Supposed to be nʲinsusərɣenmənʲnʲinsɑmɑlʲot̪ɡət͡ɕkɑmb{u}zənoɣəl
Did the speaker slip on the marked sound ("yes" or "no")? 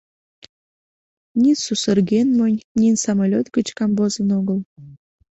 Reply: yes